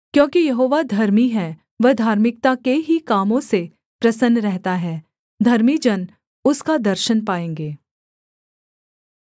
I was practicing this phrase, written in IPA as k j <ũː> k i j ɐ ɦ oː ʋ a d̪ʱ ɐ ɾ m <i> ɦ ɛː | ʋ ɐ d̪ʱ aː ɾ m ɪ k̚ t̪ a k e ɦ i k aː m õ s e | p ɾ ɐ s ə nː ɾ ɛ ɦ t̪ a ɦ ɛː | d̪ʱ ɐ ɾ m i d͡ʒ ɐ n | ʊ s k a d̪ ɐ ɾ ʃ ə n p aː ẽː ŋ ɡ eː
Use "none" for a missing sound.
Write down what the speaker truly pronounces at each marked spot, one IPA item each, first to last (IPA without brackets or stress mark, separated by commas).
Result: õː, i